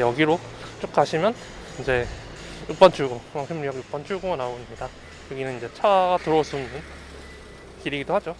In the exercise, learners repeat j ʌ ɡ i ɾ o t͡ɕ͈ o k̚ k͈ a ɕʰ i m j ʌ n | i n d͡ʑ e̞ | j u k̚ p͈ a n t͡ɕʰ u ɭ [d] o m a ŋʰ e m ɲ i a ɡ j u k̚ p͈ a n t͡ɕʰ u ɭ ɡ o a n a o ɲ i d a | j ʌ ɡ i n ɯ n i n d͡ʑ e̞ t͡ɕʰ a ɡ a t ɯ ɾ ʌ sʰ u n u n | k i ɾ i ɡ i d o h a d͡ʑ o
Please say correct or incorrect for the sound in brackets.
incorrect